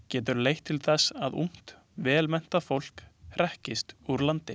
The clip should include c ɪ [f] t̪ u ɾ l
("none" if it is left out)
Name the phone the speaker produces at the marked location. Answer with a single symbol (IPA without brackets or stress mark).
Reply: s